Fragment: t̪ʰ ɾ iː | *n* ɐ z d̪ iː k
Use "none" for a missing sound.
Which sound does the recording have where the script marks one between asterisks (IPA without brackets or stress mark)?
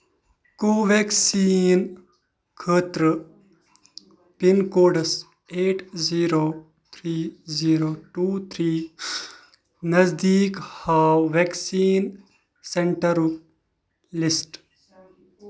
n